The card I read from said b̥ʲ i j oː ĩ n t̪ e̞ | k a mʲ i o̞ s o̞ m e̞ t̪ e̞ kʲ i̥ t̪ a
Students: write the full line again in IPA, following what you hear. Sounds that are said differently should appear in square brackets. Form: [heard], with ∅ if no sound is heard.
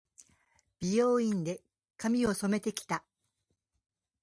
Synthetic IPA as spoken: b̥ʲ i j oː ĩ n [d̪] e̞ | k a mʲ i o̞ s o̞ m e̞ t̪ e̞ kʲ i̥ t̪ a